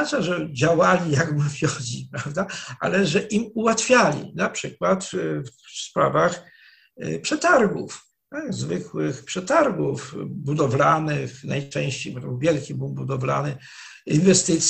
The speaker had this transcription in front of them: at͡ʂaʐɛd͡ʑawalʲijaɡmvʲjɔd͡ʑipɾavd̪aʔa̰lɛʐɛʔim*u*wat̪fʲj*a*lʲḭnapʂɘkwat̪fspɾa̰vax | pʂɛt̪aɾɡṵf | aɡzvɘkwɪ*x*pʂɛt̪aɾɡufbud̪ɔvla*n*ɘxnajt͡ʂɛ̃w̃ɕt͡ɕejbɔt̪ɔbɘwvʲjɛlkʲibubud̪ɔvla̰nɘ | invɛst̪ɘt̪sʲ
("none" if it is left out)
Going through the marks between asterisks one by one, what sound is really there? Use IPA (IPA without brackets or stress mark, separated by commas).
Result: u, a, x, n